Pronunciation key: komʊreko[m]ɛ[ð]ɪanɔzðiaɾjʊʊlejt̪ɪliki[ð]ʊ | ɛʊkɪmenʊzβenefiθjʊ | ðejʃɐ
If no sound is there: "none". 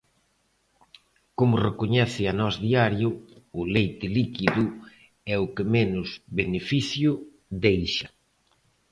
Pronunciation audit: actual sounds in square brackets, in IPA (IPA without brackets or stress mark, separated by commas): ɲ, θ, ð